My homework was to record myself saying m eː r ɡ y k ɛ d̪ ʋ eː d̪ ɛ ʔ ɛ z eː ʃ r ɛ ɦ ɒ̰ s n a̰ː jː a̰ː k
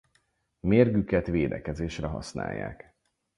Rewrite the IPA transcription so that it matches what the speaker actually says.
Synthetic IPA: m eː r ɡ y k ɛ t̪ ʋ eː d̪ ɛ k ɛ z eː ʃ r ɛ ɦ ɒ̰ s n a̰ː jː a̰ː k